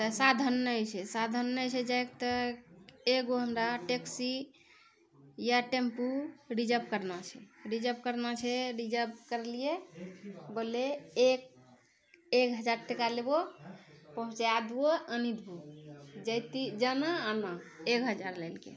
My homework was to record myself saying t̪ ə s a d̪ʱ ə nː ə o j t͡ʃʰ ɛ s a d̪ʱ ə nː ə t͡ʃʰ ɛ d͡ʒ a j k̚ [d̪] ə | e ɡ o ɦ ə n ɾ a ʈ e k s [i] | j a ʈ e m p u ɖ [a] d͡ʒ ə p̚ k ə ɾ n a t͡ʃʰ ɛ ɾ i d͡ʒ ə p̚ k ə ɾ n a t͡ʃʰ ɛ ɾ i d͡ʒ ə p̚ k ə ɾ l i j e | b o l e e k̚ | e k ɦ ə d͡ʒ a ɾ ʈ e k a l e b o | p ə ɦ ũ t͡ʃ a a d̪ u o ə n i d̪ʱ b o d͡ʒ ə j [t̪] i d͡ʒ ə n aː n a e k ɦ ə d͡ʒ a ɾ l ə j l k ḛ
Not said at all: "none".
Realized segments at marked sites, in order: t̪, i, i, t̪

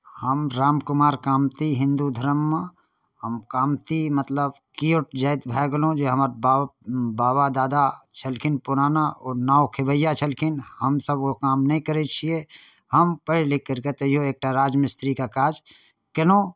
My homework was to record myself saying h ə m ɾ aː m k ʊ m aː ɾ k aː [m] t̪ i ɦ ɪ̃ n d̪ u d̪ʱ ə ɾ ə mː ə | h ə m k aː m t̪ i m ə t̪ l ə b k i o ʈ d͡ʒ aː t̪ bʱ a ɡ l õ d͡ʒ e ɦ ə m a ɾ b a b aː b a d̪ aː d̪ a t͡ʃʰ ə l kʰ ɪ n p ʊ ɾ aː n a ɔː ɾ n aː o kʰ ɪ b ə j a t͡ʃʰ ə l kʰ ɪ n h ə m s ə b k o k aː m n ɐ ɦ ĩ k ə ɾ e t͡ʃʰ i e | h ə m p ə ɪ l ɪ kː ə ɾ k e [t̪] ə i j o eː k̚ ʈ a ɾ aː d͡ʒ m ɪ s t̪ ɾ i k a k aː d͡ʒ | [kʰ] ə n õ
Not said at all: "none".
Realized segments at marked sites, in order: m, t̪, k

